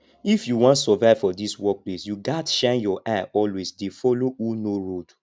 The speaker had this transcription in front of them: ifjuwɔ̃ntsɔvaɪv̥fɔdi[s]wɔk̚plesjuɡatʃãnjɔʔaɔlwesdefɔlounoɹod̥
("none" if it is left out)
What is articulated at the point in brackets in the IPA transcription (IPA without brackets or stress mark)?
s